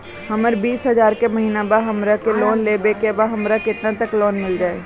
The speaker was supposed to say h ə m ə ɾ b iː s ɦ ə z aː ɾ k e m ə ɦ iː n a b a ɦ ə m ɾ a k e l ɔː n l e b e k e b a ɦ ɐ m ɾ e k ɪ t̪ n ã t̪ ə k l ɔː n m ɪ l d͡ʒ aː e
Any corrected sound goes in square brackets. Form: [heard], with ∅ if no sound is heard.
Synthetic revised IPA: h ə m ə ɾ b iː s ɦ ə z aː ɾ k e m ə ɦ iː n a b a ɦ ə m ɾ a k e l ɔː n l e b e k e b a ɦ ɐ m ɾ [a] k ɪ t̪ n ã t̪ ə k l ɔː n m ɪ l d͡ʒ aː e